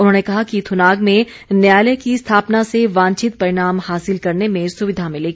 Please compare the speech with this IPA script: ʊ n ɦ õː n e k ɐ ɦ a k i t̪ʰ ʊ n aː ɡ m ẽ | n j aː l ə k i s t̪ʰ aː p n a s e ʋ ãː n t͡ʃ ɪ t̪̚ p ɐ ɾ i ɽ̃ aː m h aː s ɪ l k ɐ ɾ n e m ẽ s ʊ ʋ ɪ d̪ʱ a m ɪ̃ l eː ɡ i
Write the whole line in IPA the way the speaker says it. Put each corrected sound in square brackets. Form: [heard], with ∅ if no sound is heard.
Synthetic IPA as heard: ʊ n ɦ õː n e k ɐ ɦ a k i t̪ʰ ʊ n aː ɡ m ẽ | n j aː l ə k i s t̪ʰ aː p n a s e ʋ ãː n t͡ʃ ɪ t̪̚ p ɐ ɾ [ɪ] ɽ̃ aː m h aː s ɪ l k ɐ ɾ n e m ẽ s ʊ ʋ ɪ d̪ʱ a m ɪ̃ l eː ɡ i